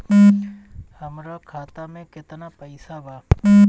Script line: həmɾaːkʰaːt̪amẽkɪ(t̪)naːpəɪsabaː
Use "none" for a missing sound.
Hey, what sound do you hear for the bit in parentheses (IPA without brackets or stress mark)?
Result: t̪